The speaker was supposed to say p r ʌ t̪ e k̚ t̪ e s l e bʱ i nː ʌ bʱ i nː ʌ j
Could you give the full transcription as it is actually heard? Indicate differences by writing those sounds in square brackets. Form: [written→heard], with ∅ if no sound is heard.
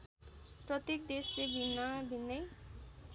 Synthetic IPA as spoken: p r ʌ t̪ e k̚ [t̪→d̪] e s l e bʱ i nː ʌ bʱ i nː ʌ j